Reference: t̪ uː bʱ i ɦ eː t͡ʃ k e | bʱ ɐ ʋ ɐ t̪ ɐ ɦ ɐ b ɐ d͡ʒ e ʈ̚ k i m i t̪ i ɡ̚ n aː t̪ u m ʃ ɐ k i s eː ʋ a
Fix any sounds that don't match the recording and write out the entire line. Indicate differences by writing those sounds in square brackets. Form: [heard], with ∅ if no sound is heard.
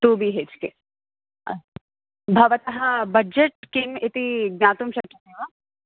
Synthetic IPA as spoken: t̪ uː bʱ i ɦ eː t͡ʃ k e | bʱ ɐ ʋ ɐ t̪ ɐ ɦ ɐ b ɐ d͡ʒ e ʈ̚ k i m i t̪ i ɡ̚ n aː t̪ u m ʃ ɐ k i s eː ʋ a